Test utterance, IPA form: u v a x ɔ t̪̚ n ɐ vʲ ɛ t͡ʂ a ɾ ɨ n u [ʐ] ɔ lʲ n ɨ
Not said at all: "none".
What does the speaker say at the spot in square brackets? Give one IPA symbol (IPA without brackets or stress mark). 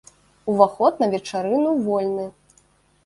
v